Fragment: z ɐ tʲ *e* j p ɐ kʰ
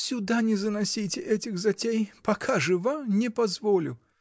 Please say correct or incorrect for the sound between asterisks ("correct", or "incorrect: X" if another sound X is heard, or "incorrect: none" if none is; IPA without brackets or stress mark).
correct